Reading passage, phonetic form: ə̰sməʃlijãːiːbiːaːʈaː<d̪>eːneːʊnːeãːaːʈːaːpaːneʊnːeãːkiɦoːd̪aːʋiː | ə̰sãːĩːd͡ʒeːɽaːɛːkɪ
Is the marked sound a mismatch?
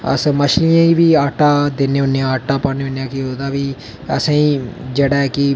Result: no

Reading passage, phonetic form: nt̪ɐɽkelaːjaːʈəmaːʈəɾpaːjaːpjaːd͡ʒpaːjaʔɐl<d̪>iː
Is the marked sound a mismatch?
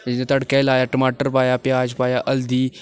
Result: no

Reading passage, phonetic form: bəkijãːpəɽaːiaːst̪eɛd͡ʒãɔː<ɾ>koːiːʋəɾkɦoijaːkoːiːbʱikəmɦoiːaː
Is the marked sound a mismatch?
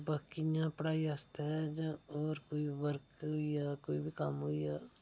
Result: no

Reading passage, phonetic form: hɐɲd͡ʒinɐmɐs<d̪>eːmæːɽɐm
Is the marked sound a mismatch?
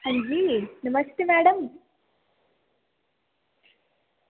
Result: yes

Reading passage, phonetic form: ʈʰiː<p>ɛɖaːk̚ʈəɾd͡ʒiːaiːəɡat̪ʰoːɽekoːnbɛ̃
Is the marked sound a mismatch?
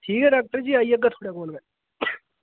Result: yes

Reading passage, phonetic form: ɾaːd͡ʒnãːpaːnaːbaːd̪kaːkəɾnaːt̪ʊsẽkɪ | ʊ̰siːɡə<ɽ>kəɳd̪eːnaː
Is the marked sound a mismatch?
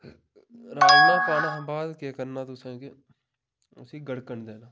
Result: no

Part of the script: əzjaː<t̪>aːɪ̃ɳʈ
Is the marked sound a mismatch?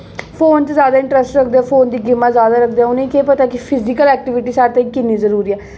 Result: yes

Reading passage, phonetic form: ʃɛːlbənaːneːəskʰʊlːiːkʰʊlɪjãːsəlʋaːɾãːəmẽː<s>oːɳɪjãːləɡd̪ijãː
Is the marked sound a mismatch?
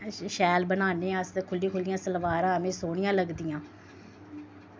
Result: no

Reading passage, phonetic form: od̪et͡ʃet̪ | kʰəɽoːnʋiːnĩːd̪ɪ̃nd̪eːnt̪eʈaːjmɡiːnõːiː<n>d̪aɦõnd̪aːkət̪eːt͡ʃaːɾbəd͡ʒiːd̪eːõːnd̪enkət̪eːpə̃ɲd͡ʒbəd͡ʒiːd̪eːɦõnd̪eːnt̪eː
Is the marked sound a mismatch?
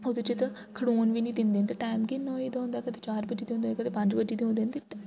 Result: yes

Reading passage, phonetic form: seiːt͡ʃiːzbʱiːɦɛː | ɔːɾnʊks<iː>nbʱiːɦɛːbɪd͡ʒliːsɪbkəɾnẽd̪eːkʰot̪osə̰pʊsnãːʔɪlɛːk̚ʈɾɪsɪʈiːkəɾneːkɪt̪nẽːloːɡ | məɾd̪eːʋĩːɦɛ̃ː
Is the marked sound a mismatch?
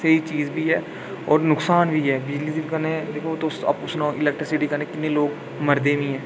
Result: yes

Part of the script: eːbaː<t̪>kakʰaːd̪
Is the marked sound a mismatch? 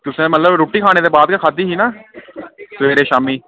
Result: yes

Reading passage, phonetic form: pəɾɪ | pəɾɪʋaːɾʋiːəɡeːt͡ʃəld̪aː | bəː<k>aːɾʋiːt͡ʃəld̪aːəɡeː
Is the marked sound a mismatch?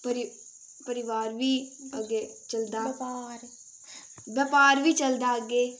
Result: yes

